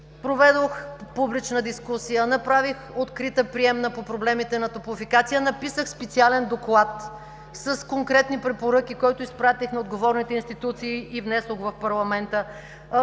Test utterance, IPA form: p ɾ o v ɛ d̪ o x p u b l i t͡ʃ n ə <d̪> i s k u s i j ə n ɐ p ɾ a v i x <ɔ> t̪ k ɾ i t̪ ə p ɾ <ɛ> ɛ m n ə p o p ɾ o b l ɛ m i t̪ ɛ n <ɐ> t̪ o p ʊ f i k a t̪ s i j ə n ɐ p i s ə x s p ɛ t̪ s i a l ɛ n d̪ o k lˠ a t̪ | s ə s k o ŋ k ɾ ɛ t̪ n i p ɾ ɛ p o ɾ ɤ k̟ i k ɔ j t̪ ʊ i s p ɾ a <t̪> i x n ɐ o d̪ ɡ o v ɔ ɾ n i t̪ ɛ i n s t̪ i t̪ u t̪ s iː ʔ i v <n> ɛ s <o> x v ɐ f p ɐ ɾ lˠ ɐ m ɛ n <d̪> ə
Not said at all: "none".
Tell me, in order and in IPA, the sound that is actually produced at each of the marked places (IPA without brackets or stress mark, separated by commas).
d̪, o, i, ɐ, t̪, n, o, t̪